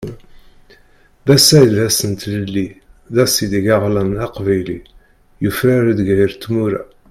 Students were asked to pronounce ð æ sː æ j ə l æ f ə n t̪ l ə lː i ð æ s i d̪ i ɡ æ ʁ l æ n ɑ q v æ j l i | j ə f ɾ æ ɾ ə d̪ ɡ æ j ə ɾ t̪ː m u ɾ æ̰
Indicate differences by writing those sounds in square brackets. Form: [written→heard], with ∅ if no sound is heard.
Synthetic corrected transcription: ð æ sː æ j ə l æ [f→s] ə n t̪ l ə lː i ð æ s i d̪ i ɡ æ ʁ l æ n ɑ q v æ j l i | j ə f ɾ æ ɾ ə d̪ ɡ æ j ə ɾ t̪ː m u ɾ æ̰